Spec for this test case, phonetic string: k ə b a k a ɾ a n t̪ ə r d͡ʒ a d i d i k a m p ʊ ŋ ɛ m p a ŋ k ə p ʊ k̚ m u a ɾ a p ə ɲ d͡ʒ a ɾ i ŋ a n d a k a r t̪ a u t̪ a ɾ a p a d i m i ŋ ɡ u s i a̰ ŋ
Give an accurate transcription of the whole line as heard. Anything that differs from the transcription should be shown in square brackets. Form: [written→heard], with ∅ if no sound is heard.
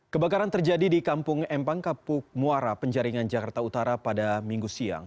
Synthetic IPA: k ə b a k a ɾ a n t̪ ə r d͡ʒ a d i d i k a m p ʊ ŋ ɛ m p a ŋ k [ə→a] p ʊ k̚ m u a ɾ a p ə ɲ d͡ʒ a ɾ i ŋ a n [d→d͡ʒ] a k a r t̪ a u t̪ a ɾ a p a d [i→a] m i ŋ ɡ u s i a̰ ŋ